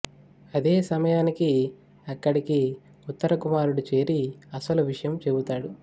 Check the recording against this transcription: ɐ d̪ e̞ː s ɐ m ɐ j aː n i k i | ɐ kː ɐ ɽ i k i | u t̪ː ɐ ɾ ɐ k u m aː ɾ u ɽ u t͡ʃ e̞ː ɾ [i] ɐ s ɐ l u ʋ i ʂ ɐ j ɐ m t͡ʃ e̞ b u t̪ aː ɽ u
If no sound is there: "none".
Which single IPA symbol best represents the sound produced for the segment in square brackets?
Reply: i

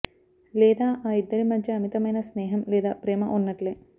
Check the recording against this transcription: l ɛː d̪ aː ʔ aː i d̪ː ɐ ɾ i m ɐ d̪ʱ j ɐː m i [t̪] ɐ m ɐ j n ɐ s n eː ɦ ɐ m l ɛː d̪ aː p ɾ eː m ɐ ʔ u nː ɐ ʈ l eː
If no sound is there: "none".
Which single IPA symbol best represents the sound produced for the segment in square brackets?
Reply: t̪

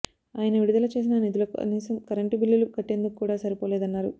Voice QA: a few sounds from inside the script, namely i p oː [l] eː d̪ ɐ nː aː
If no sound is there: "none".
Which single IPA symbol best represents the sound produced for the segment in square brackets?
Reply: l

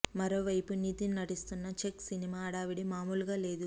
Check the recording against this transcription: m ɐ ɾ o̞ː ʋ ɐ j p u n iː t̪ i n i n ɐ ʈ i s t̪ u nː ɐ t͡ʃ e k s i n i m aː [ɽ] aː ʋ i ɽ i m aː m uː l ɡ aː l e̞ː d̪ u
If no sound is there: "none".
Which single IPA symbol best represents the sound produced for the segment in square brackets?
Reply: ɽ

